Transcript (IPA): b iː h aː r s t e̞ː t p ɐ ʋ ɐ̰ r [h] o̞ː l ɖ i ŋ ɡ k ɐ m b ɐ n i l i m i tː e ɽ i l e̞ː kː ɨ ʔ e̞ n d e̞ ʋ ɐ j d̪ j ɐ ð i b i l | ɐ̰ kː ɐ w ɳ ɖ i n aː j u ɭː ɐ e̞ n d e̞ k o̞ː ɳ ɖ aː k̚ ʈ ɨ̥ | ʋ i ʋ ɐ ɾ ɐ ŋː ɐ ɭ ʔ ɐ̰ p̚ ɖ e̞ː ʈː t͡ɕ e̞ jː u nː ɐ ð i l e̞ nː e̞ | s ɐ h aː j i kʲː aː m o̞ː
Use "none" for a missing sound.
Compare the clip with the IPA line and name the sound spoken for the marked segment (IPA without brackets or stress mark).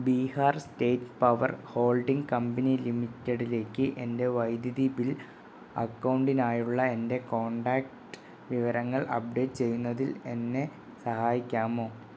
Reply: h